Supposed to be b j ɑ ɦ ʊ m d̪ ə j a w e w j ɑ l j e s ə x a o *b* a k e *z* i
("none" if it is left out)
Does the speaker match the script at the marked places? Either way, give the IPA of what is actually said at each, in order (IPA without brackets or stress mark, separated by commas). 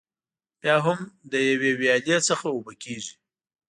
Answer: b, ʒ